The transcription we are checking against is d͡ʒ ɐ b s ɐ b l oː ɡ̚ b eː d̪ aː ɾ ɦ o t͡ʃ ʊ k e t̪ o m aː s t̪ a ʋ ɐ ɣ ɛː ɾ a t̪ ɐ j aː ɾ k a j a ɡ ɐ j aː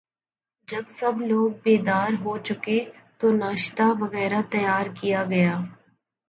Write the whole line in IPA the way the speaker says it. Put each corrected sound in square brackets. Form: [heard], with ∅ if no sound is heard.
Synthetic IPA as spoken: d͡ʒ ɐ b s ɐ b l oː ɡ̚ b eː d̪ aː ɾ ɦ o t͡ʃ ʊ k e t̪ o [n] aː [ʃ] t̪ a ʋ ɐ ɣ ɛː ɾ a t̪ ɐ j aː ɾ k [i] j a ɡ ɐ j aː

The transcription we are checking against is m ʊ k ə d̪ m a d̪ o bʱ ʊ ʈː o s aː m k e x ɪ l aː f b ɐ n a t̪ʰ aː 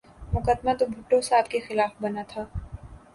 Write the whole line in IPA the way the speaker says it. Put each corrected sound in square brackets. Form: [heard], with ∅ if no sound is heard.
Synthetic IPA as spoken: m ʊ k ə d̪ m a [t̪] o bʱ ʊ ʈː o s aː [b] k e x ɪ l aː f b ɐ n a t̪ʰ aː

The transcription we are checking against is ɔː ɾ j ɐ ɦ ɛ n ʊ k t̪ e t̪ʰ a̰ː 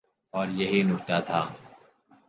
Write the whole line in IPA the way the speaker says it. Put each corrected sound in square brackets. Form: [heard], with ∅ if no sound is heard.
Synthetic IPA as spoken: ɔː ɾ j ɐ ɦ [i] n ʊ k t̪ [a] t̪ʰ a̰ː

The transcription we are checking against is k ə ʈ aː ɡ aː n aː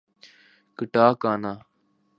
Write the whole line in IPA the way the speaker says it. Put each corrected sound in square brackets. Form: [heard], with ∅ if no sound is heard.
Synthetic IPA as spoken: k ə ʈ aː [k] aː n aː

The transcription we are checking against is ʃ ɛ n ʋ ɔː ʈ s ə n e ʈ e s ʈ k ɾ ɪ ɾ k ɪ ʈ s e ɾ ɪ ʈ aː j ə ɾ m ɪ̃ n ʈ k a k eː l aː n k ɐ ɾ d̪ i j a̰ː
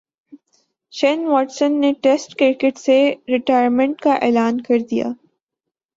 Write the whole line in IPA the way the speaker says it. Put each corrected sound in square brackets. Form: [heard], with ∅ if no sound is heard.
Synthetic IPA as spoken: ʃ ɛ n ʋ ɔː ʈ s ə [nː] e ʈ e s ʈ k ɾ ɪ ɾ k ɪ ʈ s e ɾ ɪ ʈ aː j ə ɾ m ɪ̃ [ɳ] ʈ k a [ʔ] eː l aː n k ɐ ɾ d̪ i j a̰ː

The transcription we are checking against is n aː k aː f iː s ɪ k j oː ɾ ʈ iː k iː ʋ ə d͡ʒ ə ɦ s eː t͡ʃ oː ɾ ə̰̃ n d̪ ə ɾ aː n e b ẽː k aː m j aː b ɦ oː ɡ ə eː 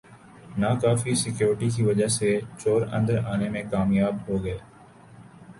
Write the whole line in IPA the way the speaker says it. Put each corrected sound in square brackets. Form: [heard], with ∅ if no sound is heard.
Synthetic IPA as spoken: n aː k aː f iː s ɪ k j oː ɾ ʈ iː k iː ʋ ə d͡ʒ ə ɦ s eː t͡ʃ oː ɾ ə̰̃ n d̪ ə ɾ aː n e [m] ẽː k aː m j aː b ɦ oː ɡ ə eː

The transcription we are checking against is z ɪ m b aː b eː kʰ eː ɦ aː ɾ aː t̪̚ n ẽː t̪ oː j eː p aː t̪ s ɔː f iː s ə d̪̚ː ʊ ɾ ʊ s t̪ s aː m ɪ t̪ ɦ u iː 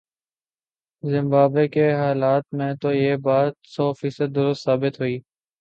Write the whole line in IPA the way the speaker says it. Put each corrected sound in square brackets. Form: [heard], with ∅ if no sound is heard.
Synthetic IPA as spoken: z ɪ m b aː b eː [k] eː ɦ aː [l] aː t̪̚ [m] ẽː t̪ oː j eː [b] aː t̪ s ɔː f iː s ə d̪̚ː ʊ ɾ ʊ s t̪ s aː [b] ɪ t̪ ɦ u iː

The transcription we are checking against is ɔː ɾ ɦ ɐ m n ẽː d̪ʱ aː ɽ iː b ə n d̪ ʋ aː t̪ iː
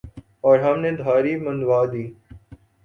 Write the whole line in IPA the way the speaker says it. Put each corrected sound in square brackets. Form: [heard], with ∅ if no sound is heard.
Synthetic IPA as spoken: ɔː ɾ ɦ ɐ m n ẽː d̪ʱ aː [ɾ] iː [m] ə n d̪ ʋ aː [d̪] iː

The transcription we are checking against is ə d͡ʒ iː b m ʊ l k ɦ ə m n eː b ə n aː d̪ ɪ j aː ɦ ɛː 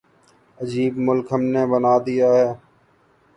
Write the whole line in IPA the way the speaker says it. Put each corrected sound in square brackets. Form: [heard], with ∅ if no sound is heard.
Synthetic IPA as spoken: ə d͡ʒ iː b m ʊ l k ɦ ə m n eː b ə n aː d̪ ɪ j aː ɦ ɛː

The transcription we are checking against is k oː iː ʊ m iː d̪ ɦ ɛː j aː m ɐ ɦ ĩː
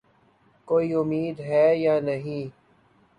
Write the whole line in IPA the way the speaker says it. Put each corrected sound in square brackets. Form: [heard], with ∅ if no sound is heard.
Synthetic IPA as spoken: k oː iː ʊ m iː d̪ ɦ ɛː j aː [n] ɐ ɦ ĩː

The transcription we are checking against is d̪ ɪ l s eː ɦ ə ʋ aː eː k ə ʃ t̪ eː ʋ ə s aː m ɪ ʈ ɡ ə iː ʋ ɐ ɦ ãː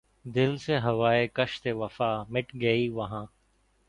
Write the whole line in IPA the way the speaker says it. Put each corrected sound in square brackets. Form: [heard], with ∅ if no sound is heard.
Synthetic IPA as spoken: d̪ ɪ l s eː ɦ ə ʋ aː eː k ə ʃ t̪ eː ʋ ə [f] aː m ɪ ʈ ɡ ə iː ʋ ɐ ɦ ãː

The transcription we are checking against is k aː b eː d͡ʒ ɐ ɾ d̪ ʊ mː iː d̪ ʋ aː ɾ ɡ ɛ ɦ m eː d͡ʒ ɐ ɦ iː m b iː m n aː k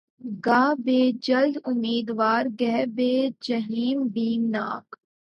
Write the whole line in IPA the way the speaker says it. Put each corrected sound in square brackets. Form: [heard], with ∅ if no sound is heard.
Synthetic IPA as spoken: [ɡ] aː b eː d͡ʒ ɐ [l] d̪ ʊ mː iː d̪ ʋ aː ɾ ɡ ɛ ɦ [b] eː d͡ʒ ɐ ɦ iː m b iː m n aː k

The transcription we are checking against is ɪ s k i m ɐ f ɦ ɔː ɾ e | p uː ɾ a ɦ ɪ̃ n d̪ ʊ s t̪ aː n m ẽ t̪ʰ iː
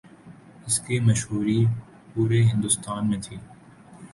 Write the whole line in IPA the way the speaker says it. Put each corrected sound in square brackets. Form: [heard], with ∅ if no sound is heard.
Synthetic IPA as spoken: ɪ s k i m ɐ [ʃ] ɦ [uː] ɾ [i] | p uː ɾ [e] ɦ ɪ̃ n d̪ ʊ s t̪ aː n m ẽ t̪ʰ iː

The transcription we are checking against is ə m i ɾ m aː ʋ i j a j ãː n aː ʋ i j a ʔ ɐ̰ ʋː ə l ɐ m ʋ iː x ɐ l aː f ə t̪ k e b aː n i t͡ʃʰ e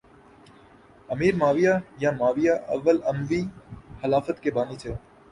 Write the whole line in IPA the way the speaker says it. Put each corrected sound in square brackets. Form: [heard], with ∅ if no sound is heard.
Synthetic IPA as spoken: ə m [iː] ɾ m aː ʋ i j a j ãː [m] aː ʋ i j a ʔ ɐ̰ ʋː ə l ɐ m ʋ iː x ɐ l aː f ə t̪ k e b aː n i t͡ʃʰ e

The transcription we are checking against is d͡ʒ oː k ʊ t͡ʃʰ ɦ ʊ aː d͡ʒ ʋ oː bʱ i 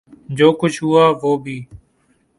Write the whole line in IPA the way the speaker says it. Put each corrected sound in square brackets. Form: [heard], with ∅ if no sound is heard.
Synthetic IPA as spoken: d͡ʒ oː k ʊ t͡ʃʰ ɦ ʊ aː [∅] ʋ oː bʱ [iː]

